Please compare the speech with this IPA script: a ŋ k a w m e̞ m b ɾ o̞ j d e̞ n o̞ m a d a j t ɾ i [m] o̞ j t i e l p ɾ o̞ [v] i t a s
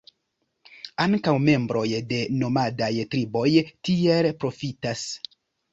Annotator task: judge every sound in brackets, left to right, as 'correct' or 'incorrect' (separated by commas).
incorrect, incorrect